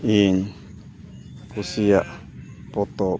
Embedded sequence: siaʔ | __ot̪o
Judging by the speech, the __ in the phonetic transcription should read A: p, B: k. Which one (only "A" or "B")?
A